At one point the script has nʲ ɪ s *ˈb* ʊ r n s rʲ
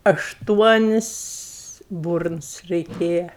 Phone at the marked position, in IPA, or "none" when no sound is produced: b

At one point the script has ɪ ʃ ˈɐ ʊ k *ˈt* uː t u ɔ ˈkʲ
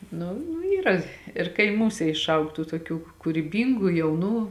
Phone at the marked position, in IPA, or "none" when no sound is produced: t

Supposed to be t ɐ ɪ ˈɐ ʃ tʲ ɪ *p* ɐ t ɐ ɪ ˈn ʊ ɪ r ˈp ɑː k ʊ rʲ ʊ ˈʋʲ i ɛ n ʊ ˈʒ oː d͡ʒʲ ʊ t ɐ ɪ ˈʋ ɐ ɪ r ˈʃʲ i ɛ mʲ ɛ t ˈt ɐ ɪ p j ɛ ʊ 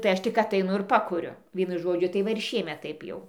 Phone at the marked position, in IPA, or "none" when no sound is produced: k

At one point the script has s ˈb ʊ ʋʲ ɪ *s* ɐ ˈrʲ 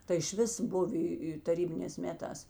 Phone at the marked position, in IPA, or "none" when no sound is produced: t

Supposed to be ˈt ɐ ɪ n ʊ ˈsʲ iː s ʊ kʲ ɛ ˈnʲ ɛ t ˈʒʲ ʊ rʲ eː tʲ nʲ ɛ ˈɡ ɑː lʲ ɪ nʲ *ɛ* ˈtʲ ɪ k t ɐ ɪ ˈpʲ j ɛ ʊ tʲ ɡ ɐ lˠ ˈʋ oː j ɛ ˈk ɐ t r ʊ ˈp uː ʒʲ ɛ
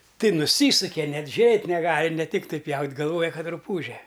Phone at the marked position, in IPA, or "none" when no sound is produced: ɛ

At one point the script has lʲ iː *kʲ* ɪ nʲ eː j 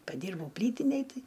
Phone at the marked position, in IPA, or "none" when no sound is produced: tʲ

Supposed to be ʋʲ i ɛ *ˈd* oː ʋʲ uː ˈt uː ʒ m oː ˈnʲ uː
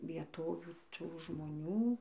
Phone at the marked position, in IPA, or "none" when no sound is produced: t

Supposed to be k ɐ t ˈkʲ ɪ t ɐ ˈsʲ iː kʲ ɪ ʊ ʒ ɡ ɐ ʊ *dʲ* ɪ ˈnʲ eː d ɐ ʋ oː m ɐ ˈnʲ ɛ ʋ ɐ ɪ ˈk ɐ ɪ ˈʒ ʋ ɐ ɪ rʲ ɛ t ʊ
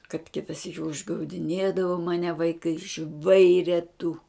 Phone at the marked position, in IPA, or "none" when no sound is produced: dʲ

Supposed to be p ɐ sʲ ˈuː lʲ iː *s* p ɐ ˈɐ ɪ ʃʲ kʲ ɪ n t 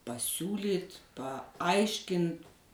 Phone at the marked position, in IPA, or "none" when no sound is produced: t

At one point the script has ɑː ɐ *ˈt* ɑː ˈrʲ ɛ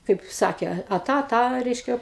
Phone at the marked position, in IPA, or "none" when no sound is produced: t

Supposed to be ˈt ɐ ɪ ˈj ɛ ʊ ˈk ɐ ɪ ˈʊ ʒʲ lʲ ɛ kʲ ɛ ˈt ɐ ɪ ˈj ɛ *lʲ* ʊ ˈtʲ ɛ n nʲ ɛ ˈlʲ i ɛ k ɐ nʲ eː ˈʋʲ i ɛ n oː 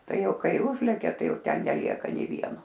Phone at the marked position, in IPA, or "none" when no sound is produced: none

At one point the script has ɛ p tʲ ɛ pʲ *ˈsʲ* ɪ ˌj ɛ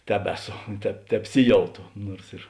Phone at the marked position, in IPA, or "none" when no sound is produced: sʲ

